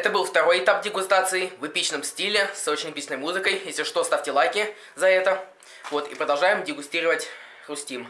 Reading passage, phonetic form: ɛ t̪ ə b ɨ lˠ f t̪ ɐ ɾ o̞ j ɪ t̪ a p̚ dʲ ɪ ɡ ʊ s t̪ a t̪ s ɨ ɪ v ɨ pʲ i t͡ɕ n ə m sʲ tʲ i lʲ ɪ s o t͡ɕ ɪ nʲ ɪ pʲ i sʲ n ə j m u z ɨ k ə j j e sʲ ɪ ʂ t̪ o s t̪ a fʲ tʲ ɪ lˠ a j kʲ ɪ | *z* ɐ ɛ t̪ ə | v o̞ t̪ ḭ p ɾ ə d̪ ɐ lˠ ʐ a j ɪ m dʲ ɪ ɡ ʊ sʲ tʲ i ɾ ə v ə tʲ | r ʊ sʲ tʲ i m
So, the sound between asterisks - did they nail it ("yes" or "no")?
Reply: yes